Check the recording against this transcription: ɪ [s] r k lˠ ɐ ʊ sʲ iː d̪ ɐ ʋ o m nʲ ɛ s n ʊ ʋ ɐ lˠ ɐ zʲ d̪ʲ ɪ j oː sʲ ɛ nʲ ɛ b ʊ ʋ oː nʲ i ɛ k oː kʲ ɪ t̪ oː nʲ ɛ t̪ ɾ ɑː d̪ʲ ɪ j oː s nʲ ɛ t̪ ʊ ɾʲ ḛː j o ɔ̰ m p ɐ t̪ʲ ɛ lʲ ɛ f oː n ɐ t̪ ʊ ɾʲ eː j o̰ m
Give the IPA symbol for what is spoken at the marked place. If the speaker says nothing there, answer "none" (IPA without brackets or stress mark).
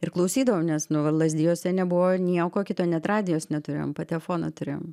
none